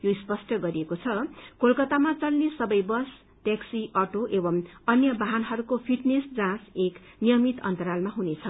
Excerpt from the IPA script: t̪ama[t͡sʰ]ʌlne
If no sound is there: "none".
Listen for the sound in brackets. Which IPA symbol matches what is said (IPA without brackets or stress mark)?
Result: t͡s